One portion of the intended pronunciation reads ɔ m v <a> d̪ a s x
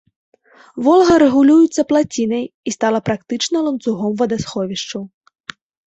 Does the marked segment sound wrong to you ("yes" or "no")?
yes